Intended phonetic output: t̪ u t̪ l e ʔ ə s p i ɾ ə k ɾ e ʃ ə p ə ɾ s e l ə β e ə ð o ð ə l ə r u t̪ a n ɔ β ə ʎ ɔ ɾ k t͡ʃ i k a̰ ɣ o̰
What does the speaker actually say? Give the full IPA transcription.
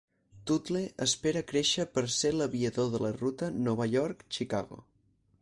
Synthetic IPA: t̪ u t̪ l e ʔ ə s p e ɾ ə k ɾ e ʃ ə p ə ɾ s e l ə β i ə ð o ð ə l ə r u t̪ ə n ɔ β ə ʎ ɔ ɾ k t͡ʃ i k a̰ ɣ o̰